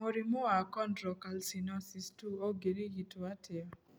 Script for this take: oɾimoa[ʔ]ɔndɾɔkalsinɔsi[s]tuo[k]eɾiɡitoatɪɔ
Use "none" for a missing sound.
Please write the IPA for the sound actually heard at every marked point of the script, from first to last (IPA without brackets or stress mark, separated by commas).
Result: k, s, ɡ